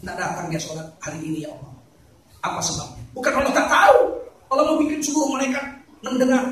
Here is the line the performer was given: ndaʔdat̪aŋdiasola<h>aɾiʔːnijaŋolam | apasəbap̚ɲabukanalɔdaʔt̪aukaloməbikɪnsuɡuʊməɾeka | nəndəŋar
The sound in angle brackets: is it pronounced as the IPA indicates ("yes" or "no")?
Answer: yes